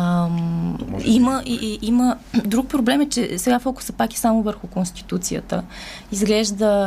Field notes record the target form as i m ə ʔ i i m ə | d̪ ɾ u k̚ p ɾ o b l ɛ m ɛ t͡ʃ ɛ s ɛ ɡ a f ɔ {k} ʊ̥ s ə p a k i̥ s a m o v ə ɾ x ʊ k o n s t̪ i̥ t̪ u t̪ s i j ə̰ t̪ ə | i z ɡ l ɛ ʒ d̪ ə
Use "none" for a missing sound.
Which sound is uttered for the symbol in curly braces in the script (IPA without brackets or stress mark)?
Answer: k